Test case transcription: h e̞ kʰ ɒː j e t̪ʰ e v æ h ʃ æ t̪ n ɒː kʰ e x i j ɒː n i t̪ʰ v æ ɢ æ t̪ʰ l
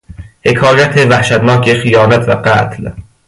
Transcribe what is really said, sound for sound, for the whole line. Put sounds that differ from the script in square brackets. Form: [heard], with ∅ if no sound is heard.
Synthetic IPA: h e̞ kʰ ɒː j [æ] t̪ʰ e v æ h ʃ æ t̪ n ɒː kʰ e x i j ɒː n [æ] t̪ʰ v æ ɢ æ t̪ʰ l